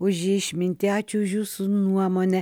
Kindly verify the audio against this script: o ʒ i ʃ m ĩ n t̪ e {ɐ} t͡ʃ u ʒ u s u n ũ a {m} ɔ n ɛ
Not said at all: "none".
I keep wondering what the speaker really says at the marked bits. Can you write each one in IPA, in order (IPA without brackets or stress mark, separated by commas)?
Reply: a, m